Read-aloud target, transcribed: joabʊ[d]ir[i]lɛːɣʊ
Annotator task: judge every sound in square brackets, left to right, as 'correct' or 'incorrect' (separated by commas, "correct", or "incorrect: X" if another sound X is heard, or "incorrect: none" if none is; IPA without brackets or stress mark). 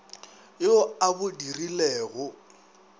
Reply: correct, correct